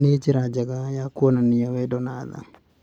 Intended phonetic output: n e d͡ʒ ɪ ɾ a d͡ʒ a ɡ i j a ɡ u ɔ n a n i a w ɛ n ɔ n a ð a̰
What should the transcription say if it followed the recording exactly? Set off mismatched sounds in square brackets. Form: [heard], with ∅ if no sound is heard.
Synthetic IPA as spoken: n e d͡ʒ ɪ ɾ a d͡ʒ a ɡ [a] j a [k] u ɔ n a n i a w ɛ [d] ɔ n a ð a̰